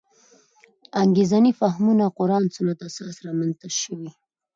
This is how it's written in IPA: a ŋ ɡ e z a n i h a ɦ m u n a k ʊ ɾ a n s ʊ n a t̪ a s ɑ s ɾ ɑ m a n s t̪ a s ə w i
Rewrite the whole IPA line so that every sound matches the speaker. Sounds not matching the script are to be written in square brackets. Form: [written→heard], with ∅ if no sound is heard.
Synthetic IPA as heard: a ŋ ɡ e z a n i [h→f] a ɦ m u n a [k→q] ʊ ɾ [a→ɑ] n s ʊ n a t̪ a s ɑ s ɾ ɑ m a n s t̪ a [s→ʃ] ə w i